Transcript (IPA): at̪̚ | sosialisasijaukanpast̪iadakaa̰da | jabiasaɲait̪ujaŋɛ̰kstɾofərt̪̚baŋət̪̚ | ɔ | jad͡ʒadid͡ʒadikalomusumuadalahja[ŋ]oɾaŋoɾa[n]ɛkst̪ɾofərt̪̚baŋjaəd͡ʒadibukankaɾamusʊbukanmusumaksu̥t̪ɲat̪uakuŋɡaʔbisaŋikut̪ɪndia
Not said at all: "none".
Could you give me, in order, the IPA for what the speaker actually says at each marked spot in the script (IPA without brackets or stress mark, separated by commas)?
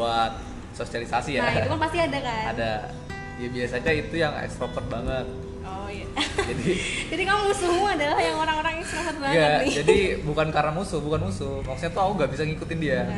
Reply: ŋ, ŋ